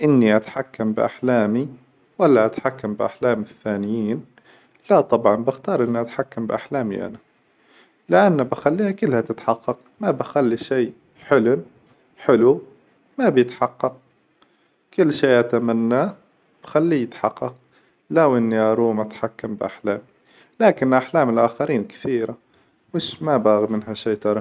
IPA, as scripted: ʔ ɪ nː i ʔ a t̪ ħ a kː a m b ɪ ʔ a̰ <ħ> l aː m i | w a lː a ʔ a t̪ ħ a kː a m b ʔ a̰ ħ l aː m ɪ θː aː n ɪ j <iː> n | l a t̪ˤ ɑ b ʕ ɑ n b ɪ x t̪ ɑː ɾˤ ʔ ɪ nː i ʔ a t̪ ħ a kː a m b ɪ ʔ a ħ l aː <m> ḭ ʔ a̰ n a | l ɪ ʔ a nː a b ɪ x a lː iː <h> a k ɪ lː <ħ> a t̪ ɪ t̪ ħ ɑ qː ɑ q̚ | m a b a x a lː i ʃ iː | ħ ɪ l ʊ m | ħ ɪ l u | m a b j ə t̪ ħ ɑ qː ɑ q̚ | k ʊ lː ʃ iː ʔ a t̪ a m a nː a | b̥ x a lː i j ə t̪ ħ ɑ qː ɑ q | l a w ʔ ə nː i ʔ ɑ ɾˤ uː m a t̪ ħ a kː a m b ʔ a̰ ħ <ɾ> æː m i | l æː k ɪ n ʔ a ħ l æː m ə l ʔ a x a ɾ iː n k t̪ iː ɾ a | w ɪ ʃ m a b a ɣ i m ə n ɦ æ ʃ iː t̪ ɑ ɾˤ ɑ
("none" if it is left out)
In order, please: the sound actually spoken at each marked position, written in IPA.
ħ, iː, m, h, h, l

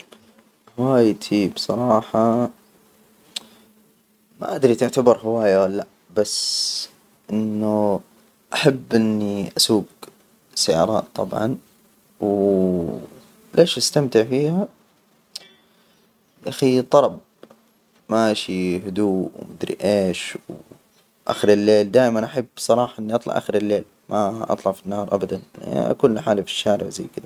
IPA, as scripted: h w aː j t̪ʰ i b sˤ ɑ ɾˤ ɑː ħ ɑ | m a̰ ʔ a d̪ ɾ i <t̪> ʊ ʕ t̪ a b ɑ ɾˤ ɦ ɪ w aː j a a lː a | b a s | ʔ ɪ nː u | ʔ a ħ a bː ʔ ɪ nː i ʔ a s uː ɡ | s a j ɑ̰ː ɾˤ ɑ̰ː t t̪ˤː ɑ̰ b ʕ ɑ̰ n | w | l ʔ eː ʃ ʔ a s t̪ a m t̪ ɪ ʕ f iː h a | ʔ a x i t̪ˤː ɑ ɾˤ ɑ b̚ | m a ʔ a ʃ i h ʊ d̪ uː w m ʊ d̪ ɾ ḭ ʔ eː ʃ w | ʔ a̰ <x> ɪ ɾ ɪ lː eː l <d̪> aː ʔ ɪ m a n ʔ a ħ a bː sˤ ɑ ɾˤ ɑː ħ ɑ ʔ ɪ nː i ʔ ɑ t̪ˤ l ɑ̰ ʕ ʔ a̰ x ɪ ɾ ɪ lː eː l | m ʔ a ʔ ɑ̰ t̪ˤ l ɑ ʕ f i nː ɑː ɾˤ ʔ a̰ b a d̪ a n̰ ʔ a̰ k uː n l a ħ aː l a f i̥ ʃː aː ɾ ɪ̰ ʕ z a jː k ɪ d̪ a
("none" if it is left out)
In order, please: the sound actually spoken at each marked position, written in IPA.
t̪, x, d̪

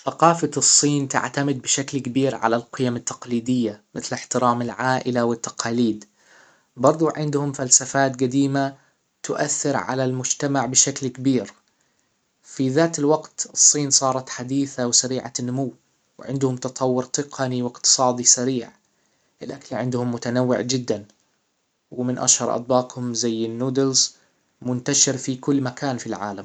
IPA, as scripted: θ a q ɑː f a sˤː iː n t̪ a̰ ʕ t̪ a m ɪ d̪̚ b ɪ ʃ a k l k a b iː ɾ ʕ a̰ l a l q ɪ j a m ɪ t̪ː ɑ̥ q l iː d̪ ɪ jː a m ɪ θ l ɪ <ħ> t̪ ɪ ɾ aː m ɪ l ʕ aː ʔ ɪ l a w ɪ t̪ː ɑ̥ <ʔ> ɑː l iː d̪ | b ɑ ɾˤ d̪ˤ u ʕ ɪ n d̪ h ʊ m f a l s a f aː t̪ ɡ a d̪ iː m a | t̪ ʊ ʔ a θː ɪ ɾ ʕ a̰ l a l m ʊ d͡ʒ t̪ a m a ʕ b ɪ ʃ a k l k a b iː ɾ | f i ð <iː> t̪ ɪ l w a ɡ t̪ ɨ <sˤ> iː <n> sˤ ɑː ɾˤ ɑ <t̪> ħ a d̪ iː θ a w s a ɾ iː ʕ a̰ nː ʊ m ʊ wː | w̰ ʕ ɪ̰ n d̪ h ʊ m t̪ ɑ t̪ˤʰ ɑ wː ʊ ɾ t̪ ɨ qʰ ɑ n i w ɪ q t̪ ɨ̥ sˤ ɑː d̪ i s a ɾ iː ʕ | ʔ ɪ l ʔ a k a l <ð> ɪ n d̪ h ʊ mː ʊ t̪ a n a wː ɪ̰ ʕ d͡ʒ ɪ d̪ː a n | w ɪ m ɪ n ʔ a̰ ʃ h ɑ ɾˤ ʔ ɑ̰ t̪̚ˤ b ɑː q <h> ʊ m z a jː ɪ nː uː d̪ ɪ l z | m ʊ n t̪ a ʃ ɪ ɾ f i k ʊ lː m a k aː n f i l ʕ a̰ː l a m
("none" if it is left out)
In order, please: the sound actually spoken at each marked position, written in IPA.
ħ, q, aː, sˤː, n, t̪, ʕ, h

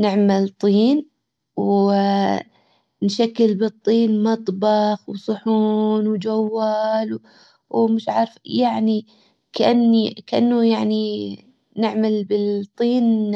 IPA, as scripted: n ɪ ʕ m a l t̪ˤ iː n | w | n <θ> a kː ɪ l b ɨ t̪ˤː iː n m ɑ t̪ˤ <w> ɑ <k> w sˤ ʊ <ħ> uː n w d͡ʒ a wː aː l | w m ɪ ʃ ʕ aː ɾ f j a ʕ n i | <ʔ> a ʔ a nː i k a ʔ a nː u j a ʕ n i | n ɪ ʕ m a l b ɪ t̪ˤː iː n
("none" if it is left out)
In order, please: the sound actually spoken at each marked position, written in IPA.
ʃ, b, x, ħ, k

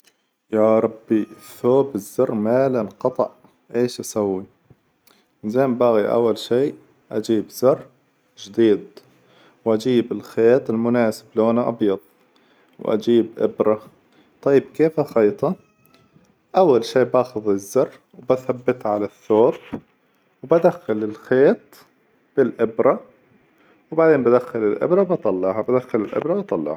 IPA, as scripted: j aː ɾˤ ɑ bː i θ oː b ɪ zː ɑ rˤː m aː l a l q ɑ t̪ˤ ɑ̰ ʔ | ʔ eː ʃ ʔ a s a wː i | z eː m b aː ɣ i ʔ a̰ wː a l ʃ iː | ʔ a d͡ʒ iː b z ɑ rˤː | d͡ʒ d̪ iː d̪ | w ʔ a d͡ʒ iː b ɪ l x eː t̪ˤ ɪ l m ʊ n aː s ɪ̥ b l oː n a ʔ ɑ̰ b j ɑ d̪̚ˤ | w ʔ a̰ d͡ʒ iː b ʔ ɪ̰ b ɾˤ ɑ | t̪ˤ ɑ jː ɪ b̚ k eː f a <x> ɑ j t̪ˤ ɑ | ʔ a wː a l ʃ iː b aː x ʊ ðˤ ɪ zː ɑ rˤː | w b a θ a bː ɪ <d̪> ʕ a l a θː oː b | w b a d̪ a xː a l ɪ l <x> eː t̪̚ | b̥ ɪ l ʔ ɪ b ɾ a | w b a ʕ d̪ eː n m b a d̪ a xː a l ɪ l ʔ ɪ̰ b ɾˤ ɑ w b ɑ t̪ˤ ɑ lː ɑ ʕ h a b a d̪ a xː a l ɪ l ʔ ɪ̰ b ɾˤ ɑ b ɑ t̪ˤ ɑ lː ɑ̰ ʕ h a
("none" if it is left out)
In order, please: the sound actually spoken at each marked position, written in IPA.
x, t̪, x

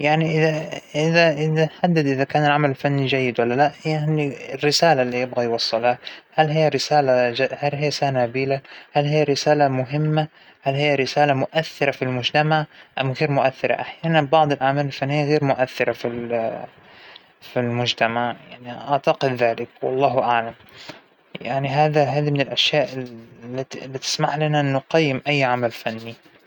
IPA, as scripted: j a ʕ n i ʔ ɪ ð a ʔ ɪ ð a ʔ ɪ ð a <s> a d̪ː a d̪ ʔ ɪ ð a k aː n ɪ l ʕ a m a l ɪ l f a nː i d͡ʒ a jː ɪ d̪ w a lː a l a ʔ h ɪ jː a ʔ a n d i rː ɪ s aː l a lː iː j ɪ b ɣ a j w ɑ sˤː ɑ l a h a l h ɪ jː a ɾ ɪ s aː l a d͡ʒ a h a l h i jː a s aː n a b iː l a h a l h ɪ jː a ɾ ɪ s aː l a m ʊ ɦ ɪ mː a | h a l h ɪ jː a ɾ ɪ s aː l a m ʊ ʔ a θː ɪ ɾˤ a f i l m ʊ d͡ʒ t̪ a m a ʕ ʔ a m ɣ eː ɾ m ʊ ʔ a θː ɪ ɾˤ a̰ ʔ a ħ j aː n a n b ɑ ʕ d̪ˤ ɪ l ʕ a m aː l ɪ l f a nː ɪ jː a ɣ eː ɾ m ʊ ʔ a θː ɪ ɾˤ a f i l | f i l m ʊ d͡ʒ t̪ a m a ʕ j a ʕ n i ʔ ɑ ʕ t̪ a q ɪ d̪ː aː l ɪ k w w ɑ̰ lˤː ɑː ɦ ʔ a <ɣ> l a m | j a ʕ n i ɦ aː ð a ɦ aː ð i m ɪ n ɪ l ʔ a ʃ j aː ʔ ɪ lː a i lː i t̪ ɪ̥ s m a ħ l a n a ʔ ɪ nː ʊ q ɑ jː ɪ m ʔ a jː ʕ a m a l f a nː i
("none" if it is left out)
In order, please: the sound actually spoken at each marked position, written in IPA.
ħ, ʕ

